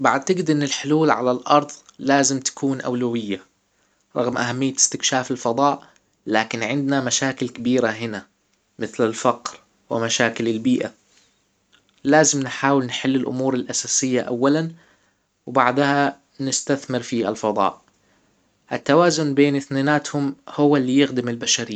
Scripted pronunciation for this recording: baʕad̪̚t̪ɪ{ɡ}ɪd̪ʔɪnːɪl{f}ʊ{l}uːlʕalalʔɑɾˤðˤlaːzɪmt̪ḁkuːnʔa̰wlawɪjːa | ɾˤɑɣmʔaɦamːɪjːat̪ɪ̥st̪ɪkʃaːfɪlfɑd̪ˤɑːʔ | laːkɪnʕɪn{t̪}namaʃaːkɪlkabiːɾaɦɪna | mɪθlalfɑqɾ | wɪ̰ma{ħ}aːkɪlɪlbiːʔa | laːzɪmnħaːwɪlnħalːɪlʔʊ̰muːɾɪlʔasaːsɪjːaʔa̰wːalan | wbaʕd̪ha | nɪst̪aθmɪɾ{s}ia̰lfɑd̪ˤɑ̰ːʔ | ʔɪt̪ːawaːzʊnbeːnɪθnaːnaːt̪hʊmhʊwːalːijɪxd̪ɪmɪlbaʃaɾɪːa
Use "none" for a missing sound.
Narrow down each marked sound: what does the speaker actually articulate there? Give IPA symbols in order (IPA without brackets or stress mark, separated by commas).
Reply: ɡ, ħ, l, d̪, ʃ, f